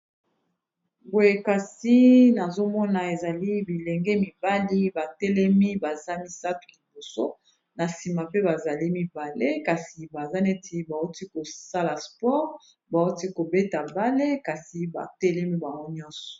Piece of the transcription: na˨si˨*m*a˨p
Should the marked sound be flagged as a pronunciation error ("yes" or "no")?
no